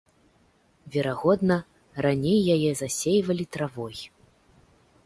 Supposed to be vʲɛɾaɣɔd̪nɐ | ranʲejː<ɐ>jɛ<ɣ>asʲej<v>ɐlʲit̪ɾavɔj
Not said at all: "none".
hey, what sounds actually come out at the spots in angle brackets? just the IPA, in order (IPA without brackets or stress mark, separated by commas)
a, z, v